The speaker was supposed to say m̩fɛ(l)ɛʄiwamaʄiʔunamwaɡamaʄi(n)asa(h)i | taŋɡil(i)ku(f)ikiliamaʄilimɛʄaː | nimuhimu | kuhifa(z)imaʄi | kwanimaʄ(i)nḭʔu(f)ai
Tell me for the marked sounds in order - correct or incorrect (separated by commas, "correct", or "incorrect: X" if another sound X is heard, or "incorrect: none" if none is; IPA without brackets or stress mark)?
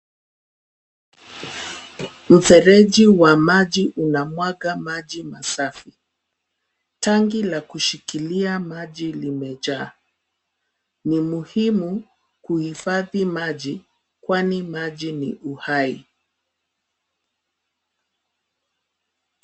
incorrect: ɾ, incorrect: m, incorrect: f, incorrect: a, incorrect: ʃ, incorrect: ð, correct, incorrect: h